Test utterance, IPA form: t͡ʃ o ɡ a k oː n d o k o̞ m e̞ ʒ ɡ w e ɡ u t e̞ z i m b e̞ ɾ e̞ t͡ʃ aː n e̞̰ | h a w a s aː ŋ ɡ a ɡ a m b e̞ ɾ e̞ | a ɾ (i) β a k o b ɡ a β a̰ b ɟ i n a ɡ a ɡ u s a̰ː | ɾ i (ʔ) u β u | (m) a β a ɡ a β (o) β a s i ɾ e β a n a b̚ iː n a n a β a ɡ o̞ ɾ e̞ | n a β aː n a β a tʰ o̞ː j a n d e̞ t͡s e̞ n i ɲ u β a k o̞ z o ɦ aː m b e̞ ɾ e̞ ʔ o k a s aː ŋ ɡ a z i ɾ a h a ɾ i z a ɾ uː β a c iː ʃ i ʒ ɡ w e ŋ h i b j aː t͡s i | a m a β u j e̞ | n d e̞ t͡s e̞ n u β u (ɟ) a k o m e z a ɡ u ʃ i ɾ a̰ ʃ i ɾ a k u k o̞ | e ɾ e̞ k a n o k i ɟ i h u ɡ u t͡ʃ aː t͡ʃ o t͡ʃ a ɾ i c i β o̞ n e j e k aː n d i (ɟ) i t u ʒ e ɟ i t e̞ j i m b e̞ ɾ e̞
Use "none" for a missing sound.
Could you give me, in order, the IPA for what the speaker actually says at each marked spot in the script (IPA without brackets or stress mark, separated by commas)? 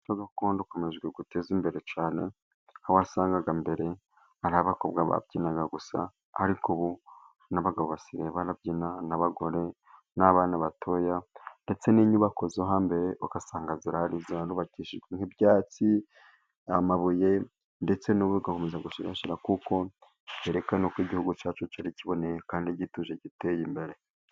a, k, n, o, ɡ, ɟ